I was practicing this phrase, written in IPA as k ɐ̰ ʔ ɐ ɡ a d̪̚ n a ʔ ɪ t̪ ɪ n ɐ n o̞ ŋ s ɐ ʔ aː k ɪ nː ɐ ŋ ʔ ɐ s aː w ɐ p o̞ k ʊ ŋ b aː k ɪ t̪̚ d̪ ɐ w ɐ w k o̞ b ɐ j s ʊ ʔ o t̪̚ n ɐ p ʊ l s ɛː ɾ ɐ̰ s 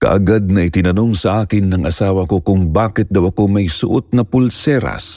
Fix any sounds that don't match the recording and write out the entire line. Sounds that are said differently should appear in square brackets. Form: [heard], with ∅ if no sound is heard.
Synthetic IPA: k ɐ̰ ʔ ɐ ɡ a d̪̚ n [ɐ] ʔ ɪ t̪ ɪ n ɐ n o̞ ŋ s ɐ ʔ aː k ɪ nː ɐ ŋ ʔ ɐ s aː w ɐ [k] o̞ k ʊ ŋ b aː k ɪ t̪̚ d̪ ɐ w ɐ [∅] k o̞ [m] ɐ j s ʊ ʔ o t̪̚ n ɐ p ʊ l s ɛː ɾ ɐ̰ s